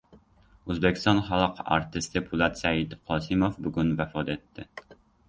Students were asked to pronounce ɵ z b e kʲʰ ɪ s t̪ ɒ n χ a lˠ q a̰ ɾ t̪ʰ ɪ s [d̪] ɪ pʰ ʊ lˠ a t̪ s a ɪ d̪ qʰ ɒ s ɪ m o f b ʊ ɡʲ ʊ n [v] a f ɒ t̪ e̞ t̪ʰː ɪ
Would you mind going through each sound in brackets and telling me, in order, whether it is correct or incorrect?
incorrect, correct

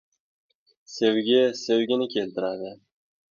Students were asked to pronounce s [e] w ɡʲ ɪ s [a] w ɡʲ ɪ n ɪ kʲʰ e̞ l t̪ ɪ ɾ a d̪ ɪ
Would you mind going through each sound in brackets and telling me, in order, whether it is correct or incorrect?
correct, incorrect

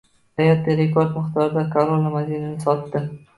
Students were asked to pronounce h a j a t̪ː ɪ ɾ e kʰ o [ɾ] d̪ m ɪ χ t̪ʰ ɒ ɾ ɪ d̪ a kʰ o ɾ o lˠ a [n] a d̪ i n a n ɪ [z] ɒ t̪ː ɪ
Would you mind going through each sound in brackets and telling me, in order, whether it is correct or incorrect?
correct, incorrect, incorrect

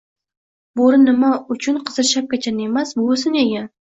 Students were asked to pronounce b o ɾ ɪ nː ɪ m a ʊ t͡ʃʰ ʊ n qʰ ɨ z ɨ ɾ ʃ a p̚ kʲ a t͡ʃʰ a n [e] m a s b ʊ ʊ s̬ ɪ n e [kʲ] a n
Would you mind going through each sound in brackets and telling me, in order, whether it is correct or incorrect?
correct, incorrect

